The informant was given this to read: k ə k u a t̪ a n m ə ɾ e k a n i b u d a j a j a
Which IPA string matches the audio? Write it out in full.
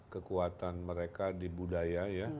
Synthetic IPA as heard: k ə k u a t̪ a n m ə ɾ e k a d i b u d a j a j a